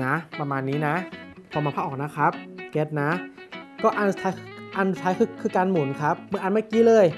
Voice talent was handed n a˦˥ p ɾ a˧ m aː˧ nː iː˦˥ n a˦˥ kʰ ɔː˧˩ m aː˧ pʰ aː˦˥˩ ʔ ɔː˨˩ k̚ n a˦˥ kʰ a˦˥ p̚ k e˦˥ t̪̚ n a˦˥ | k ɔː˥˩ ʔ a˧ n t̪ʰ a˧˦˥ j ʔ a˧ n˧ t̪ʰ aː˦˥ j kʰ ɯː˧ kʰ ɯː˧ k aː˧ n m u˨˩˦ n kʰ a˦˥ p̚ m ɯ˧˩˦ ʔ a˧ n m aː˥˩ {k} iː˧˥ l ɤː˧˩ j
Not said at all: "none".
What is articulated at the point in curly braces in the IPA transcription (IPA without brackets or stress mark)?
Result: k